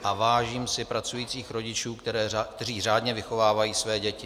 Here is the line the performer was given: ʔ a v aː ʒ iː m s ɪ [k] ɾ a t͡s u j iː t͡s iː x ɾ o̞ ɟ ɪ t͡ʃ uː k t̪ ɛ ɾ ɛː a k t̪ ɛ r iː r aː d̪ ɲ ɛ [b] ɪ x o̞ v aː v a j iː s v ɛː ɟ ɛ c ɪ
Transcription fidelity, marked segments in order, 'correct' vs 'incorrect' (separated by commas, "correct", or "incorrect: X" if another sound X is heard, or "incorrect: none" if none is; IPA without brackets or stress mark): incorrect: p, incorrect: v